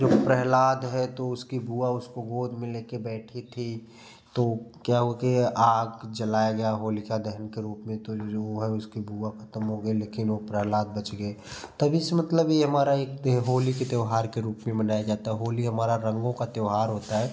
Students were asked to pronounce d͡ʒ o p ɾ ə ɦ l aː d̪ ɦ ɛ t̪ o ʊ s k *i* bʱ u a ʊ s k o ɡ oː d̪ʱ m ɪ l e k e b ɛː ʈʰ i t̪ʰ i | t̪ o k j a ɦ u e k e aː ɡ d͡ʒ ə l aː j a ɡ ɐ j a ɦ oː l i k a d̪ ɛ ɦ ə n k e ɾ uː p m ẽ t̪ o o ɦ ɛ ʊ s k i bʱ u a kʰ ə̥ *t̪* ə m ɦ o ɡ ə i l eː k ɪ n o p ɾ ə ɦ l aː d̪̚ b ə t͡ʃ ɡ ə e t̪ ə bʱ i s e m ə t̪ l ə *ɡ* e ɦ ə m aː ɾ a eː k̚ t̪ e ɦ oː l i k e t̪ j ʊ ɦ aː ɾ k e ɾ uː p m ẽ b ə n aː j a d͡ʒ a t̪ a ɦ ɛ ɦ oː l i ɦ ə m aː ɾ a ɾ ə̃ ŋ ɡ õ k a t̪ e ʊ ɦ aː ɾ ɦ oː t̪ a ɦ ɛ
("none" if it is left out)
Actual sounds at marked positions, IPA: i, t̪, b

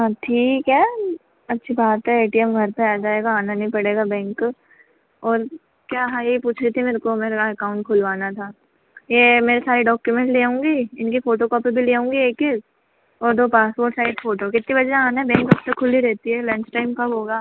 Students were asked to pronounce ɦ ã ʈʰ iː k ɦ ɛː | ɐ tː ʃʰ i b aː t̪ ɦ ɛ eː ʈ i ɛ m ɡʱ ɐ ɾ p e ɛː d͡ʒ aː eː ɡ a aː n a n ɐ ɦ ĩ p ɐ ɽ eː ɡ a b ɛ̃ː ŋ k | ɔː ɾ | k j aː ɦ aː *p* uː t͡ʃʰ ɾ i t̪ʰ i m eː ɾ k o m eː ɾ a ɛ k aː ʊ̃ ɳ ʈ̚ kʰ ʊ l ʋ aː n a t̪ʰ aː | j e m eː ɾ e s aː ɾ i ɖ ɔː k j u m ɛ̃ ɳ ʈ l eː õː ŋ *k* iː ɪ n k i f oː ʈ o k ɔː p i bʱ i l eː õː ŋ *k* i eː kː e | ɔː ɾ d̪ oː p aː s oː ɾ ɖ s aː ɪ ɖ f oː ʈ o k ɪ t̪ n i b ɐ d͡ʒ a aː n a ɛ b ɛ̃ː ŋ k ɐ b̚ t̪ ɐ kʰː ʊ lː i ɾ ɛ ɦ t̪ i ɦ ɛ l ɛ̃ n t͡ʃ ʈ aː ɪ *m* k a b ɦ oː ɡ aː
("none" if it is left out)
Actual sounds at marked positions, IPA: p, ɡ, ɡ, m

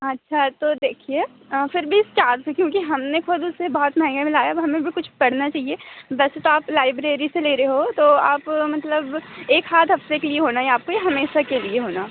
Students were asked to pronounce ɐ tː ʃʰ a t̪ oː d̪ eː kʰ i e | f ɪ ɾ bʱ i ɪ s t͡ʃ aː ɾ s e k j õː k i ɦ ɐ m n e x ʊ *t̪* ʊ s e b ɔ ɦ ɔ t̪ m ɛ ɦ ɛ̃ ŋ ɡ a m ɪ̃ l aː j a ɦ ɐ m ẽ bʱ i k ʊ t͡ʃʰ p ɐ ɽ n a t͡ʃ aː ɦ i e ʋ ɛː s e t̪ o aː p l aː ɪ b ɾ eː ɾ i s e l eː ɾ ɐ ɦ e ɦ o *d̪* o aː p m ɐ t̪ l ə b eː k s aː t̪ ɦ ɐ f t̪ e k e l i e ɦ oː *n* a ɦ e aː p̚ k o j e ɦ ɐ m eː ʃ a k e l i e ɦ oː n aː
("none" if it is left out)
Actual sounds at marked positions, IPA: d̪, t̪, n

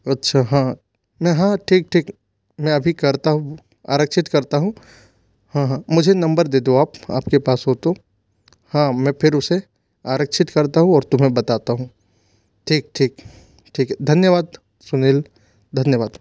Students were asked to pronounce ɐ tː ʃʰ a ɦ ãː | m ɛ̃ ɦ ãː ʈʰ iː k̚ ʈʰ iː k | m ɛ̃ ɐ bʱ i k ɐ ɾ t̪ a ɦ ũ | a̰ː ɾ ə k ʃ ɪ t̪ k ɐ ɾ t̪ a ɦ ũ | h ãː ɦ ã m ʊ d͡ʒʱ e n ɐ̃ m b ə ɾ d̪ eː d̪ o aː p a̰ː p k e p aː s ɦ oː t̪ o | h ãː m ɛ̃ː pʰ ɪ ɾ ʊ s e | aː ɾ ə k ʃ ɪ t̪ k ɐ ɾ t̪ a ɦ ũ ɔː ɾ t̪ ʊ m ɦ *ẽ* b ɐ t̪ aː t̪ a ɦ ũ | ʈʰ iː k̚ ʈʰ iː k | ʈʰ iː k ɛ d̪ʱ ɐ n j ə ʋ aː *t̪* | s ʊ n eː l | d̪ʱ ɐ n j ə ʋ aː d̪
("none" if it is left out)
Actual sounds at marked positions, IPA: ẽ, d̪

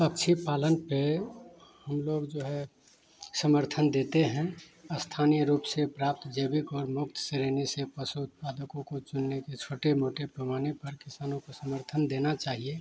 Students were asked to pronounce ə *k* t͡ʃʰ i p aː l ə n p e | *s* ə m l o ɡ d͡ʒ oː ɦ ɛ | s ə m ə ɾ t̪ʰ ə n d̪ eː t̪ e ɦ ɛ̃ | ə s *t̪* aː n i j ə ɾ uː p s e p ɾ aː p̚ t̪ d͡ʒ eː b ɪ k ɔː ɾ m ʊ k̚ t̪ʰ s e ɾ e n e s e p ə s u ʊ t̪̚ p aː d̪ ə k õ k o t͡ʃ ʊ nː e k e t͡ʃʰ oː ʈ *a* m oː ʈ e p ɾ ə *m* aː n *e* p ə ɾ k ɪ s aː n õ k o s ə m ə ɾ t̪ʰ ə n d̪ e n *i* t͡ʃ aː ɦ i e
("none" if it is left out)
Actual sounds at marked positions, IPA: k, h, t̪ʰ, e, m, e, a

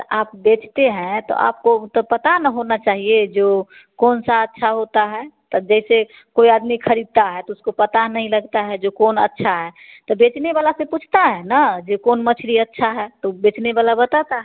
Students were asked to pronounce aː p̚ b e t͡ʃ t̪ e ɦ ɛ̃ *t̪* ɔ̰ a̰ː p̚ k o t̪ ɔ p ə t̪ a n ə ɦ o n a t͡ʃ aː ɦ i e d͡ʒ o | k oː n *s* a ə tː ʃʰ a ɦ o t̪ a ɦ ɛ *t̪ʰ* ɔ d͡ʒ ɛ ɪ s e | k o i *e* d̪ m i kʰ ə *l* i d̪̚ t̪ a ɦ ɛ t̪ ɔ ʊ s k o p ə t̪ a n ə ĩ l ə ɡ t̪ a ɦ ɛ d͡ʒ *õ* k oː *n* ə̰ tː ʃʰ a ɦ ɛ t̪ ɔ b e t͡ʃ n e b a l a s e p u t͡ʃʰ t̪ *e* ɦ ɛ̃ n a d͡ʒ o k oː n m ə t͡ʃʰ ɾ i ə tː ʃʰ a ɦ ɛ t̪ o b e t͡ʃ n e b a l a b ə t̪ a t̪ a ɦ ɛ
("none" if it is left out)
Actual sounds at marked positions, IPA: t̪, s, t̪, a, ɾ, o, n, a

